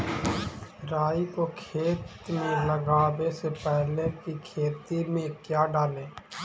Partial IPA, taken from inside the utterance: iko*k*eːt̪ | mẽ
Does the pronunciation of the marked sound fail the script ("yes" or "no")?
yes